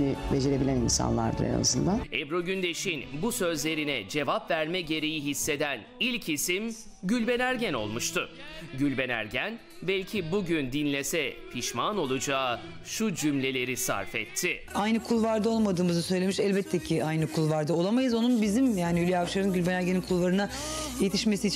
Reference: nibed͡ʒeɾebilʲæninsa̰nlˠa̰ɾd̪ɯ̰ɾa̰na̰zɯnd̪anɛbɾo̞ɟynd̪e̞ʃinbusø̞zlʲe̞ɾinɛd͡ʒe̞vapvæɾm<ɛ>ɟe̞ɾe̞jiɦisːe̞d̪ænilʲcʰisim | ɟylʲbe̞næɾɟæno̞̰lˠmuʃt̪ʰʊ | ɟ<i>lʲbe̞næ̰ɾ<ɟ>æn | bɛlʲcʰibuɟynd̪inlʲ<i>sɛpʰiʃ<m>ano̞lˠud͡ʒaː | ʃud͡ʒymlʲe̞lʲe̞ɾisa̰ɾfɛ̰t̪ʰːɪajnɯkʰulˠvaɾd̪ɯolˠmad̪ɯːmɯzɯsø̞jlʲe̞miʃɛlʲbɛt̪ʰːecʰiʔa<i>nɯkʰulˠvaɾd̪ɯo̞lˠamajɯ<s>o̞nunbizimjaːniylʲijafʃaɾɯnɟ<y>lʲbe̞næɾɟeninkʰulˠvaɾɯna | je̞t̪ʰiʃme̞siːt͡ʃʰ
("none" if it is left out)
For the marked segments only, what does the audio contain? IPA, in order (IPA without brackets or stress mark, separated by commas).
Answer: ɛ, y, ɟ, e, m, j, z, y